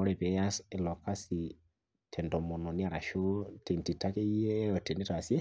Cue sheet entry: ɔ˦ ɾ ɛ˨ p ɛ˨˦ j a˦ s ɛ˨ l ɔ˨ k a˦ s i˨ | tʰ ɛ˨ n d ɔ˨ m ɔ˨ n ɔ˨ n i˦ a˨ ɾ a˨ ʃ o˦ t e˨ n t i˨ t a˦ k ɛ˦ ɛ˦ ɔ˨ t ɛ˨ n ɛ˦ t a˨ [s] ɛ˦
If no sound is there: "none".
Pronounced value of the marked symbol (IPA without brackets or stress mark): s